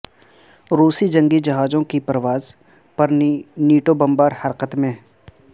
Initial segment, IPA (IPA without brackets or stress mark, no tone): ɾ